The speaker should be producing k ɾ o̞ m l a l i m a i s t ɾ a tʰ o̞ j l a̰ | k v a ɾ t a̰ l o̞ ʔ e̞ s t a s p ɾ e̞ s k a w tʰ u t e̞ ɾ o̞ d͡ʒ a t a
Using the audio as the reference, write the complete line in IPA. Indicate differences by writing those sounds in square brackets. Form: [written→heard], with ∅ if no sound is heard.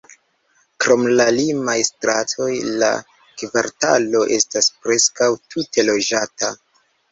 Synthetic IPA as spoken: k ɾ o̞ m l a l i m a [i→j] s t ɾ a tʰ o̞ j l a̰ | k v a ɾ t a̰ l o̞ ʔ e̞ s t a s p ɾ e̞ s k a w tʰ u t e̞ [ɾ→l] o̞ d͡ʒ a t a